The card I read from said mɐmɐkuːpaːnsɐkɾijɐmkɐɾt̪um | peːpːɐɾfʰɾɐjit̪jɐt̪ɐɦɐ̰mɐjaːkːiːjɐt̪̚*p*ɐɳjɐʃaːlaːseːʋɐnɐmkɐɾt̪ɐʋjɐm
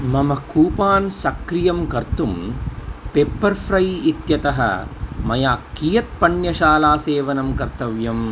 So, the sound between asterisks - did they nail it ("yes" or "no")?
yes